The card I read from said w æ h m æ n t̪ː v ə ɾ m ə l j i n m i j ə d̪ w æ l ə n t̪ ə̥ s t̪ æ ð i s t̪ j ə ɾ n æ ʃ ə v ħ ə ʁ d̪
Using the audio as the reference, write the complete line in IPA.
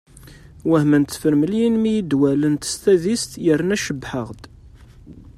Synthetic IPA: w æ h m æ n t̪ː f ə ɾ m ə l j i n m i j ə d̪ w æ l ə n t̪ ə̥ s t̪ æ ð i s t̪ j ə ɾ n æ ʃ ə b ħ ə ʁ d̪